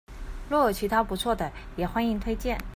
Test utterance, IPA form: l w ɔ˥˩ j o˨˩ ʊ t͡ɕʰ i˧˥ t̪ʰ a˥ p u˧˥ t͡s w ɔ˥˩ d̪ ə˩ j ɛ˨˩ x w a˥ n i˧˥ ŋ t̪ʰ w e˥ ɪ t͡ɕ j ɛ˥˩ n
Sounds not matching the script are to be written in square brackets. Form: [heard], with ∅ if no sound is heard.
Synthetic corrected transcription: l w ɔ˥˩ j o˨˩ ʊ t͡ɕʰ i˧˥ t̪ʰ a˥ p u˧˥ [t͡sʰ] w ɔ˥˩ d̪ ə˩ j ɛ˨˩ x w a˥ n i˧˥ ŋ t̪ʰ w e˥ ɪ t͡ɕ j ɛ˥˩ n

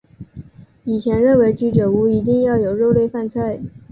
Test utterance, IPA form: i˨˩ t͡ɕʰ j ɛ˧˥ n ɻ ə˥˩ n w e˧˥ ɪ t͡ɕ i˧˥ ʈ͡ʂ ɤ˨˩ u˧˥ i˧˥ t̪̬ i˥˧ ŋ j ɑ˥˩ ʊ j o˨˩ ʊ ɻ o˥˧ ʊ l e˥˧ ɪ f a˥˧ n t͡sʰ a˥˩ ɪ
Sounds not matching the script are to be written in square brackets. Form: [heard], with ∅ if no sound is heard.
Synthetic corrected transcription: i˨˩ t͡ɕʰ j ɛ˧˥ n ɻ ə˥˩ n w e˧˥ ɪ t͡ɕ [y˧˥] ʈ͡ʂ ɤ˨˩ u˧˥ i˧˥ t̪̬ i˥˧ ŋ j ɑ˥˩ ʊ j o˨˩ ʊ ɻ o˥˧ ʊ l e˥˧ ɪ f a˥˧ n t͡sʰ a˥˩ ɪ

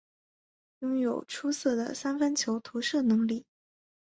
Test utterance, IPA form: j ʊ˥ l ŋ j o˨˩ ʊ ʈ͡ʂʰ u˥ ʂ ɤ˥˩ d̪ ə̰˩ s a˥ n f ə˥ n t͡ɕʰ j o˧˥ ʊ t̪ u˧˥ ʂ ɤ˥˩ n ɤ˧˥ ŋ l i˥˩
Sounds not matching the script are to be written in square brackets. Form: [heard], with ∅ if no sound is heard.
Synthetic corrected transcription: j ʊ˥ [∅] ŋ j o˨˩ ʊ ʈ͡ʂʰ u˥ [s] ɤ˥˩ d̪ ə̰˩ s a˥ n f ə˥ n t͡ɕʰ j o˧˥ ʊ [t̪ʰ] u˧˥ ʂ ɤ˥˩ n ɤ˧˥ ŋ l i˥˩

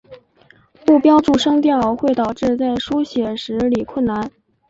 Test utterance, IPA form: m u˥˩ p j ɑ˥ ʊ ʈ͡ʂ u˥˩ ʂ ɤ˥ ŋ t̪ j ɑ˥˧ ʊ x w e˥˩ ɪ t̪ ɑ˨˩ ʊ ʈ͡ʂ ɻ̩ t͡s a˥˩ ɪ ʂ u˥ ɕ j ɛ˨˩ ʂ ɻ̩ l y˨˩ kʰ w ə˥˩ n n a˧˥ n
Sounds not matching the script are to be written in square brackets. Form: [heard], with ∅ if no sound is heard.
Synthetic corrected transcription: m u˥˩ p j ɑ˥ ʊ ʈ͡ʂ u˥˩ ʂ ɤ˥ ŋ t̪ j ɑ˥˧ ʊ x w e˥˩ ɪ t̪ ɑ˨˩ ʊ ʈ͡ʂ ɻ̩ t͡s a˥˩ ɪ ʂ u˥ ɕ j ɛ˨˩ ʂ ɻ̩ l [i˨˩] kʰ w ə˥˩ n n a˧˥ n

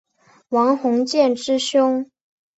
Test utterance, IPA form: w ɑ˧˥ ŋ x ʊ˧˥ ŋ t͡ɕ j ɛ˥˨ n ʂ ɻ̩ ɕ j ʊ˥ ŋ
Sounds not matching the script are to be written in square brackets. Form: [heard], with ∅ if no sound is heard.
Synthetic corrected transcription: w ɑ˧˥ ŋ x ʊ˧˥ ŋ t͡ɕ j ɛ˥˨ n [ʈ͡ʂ] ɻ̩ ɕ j ʊ˥ ŋ

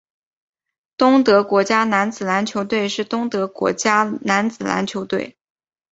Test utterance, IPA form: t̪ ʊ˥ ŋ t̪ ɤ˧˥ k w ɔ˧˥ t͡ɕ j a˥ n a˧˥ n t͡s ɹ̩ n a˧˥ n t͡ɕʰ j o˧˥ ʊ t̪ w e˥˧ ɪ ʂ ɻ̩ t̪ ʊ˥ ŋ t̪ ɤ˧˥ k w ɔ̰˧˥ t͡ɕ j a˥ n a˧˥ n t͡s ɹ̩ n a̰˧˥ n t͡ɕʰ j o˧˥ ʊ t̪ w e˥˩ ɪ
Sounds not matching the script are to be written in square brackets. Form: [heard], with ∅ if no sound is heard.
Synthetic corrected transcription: t̪ ʊ˥ ŋ t̪ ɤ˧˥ k w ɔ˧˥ t͡ɕ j a˥ n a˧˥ n t͡s ɹ̩ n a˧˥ n t͡ɕʰ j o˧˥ ʊ t̪ w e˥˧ ɪ ʂ ɻ̩ t̪ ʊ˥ ŋ t̪ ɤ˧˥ k w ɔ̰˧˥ t͡ɕ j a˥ n a˧˥ n t͡s ɹ̩ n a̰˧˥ n t͡ɕʰ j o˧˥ ʊ t̪ w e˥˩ ɪ

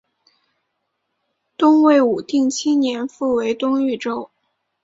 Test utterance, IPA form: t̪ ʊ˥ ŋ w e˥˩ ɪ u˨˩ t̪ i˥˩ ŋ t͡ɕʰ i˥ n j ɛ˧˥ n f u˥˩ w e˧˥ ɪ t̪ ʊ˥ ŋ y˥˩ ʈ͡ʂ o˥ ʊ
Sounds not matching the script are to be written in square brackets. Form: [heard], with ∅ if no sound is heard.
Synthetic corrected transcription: t̪ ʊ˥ ŋ w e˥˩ ɪ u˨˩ t̪ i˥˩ ŋ t͡ɕʰ i˥ n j ɛ˧˥ n f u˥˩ w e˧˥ ɪ t̪ ʊ˥ ŋ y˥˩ ʈ͡ʂ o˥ ʊ

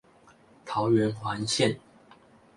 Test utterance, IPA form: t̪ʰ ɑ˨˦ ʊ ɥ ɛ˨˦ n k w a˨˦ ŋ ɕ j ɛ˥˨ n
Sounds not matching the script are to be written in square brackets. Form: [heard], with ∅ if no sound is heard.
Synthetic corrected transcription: t̪ʰ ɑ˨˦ ʊ ɥ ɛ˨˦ n [x] w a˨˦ [n] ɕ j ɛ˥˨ n

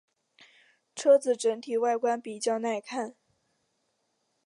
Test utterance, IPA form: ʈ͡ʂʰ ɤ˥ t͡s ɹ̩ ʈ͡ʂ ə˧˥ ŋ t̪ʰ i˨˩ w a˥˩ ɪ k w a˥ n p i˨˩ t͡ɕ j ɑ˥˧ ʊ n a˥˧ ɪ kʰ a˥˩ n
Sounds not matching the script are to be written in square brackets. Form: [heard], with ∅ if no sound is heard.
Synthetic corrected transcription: ʈ͡ʂʰ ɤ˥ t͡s ɹ̩ ʈ͡ʂ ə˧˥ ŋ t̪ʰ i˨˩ w a˥˩ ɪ k w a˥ n p i˨˩ t͡ɕ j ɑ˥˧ ʊ n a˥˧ ɪ kʰ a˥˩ n

